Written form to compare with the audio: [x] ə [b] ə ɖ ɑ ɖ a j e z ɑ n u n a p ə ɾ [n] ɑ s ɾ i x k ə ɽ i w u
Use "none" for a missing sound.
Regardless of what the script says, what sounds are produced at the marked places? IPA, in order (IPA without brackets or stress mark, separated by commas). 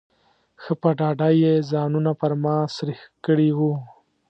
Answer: x, p, m